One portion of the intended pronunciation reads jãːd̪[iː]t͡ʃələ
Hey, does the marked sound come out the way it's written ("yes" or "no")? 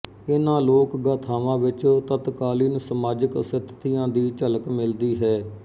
yes